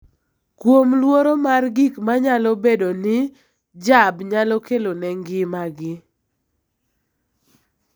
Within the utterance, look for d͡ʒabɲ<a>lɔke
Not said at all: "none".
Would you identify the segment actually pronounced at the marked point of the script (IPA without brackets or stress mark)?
a